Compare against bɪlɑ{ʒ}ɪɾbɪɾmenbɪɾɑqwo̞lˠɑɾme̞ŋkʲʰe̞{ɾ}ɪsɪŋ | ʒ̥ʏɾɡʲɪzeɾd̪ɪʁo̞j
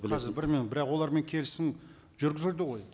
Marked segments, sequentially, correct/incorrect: incorrect: z, incorrect: l

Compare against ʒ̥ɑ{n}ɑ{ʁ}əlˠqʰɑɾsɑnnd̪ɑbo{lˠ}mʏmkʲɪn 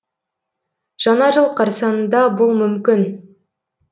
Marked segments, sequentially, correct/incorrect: correct, incorrect: ʒ, correct

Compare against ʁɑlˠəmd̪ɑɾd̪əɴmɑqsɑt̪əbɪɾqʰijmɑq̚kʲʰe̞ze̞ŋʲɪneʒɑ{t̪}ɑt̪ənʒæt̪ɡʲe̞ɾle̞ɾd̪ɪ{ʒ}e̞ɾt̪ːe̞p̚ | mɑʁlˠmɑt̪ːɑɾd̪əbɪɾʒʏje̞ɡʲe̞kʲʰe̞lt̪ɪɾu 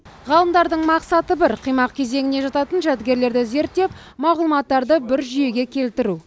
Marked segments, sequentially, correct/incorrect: correct, incorrect: z

